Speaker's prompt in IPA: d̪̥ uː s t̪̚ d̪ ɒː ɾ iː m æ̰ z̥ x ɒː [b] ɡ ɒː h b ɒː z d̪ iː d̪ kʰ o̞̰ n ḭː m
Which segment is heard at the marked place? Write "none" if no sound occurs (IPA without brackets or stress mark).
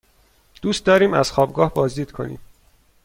b